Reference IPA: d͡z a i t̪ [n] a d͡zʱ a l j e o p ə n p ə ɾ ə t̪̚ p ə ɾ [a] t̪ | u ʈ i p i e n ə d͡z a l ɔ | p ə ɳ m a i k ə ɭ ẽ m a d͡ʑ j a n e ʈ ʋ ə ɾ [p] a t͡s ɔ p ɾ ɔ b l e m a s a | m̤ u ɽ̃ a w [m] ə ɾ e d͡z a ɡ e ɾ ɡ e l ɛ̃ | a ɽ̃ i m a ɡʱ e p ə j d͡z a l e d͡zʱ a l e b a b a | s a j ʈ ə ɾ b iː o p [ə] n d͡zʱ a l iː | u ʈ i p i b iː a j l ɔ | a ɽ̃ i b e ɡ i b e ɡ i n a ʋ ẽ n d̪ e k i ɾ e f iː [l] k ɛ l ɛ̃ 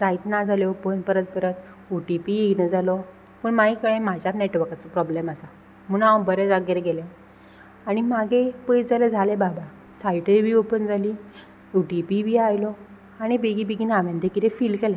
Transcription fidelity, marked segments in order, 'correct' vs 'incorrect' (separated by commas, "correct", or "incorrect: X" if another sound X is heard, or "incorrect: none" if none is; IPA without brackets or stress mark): correct, incorrect: ə, incorrect: k, incorrect: b, correct, correct